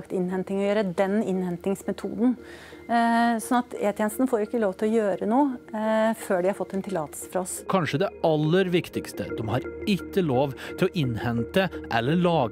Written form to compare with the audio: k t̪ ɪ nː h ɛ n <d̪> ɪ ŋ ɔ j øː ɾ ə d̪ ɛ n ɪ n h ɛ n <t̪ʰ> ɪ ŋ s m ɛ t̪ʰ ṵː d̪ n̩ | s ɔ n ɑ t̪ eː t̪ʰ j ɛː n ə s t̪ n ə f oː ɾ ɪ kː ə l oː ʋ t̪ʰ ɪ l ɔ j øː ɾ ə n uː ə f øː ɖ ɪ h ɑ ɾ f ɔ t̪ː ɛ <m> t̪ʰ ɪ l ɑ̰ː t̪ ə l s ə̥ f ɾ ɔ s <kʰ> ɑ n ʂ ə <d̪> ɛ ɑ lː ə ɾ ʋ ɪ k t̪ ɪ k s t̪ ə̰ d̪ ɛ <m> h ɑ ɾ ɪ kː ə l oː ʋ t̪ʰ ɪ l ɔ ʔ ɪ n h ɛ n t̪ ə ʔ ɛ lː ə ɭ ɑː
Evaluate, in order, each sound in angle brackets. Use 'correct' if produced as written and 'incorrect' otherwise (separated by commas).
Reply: incorrect, incorrect, incorrect, correct, correct, correct